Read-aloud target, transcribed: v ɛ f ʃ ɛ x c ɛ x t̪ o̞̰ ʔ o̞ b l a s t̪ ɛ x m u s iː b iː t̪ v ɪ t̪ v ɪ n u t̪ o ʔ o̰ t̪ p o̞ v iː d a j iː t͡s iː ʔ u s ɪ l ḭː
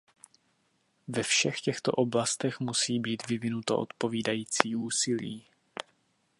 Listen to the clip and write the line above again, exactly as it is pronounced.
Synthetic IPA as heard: v ɛ f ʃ ɛ x c ɛ x t̪ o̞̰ ʔ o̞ b l a s t̪ ɛ x m u s iː b iː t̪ v ɪ v ɪ n u t̪ o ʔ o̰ t̪ p o̞ v iː d a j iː t͡s iː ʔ uː s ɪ l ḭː